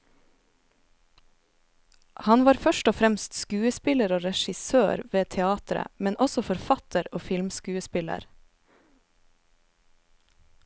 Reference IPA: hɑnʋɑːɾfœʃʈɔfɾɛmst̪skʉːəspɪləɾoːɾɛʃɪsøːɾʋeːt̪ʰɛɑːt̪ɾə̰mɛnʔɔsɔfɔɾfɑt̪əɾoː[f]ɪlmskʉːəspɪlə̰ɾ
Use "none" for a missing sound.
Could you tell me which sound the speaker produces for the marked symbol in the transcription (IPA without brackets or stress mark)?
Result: f